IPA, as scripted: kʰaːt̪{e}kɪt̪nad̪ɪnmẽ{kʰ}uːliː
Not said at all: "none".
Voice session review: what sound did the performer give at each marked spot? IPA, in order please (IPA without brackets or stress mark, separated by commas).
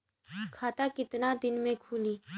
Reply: a, kʰ